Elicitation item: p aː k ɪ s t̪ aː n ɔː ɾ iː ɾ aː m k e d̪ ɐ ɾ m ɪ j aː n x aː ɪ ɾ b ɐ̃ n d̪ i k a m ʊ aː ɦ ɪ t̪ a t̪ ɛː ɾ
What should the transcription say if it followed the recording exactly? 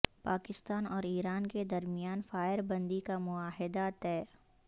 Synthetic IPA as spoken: p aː k ɪ s t̪ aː n ɔː ɾ iː ɾ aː n k e d̪ ɐ ɾ m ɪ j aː n f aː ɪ ɾ b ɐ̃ n d̪ i k a m ʊ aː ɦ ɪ d̪ a t̪ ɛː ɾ